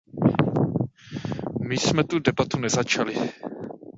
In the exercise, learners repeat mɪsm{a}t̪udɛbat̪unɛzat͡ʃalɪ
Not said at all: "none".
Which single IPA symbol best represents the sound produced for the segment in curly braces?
ɛ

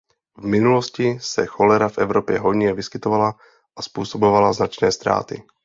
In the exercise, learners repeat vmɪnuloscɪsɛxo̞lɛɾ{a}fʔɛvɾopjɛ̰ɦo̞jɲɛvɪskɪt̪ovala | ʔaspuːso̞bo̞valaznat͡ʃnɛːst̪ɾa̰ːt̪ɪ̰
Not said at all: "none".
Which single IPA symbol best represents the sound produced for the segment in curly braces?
a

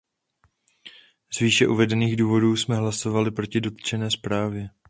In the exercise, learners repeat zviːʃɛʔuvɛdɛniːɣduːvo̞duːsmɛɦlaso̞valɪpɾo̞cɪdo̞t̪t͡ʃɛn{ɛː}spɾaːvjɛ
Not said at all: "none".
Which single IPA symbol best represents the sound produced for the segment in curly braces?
ɛː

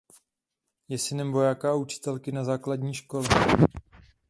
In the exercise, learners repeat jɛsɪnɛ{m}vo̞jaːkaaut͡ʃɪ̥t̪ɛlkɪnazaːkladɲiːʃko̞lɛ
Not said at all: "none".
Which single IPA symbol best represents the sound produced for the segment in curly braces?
m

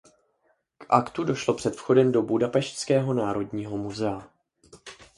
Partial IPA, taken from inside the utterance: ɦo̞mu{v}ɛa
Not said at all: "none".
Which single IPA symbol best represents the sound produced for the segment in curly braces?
z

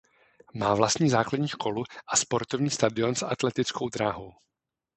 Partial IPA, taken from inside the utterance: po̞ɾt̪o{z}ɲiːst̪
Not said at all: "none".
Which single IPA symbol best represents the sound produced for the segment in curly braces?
v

